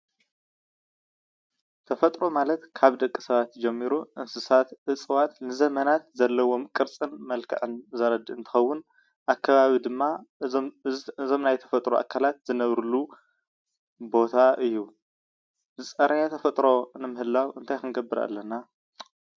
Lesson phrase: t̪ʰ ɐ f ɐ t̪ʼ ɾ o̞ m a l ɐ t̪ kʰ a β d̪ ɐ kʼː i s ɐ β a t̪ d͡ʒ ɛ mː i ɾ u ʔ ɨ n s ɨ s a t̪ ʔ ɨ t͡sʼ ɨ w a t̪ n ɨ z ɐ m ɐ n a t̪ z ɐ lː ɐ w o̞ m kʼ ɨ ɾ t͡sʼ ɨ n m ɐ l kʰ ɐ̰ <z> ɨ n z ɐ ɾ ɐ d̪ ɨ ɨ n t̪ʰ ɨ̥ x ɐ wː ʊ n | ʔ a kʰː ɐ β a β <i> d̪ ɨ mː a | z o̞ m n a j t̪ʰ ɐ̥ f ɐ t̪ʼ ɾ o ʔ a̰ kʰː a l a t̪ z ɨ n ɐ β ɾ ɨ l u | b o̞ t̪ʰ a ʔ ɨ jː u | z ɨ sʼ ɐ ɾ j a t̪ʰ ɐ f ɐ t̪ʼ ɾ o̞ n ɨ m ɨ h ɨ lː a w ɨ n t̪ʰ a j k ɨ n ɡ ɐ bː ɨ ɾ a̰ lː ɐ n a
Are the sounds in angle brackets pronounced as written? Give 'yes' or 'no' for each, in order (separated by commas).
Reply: no, yes